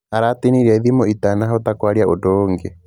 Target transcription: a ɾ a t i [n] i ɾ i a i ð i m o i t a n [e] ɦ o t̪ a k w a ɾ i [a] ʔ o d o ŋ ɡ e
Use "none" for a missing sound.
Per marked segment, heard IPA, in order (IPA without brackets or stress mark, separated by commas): n, a, a